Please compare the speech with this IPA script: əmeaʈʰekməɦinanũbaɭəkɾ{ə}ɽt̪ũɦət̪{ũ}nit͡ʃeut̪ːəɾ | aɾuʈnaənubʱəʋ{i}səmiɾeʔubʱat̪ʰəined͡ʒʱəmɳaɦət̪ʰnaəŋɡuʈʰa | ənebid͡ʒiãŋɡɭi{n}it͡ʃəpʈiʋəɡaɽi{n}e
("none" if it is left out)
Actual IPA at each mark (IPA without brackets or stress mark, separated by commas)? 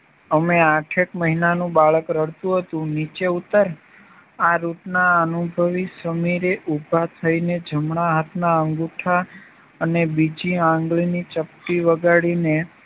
ə, ũ, i, n, n